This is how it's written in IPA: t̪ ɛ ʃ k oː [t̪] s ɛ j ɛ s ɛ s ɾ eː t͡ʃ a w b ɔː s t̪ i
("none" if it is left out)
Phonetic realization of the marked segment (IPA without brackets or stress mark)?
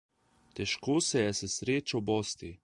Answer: none